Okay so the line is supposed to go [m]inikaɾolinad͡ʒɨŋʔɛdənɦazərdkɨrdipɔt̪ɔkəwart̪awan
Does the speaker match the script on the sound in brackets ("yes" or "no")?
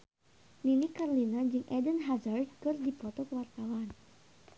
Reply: no